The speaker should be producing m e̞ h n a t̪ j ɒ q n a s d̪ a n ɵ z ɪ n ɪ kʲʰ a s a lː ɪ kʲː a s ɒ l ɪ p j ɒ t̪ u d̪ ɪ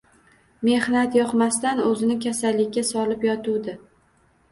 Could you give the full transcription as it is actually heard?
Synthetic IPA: m e̞ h n a t̪ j ɒ q m a s t̪ a n ɵ z ɪ n ɪ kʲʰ a s a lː ɪ kʲː a s ɒ l ɪ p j ɒ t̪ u d̪ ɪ